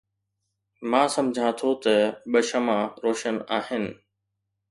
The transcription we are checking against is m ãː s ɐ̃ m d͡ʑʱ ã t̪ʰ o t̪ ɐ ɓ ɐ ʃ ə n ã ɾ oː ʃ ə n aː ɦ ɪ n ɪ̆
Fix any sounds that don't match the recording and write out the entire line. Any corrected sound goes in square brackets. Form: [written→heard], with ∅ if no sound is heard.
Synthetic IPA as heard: m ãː s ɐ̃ m d͡ʑʱ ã t̪ʰ o t̪ ɐ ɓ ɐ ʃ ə [n→m] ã ɾ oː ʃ ə n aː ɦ ɪ n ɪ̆